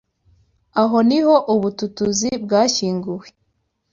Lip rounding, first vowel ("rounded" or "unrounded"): unrounded